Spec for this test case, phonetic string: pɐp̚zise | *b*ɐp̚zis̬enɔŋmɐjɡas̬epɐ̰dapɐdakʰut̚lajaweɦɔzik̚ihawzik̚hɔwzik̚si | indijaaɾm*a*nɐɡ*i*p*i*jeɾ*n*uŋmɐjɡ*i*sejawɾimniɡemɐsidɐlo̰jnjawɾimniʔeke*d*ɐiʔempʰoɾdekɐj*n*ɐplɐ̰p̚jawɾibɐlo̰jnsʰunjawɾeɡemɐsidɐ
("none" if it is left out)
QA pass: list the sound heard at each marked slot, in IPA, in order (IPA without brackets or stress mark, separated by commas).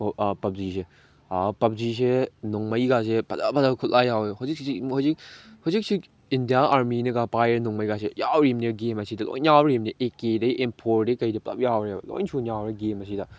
p, i, a, a, n, a, d, d